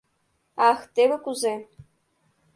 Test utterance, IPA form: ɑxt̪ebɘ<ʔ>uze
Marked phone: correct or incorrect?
incorrect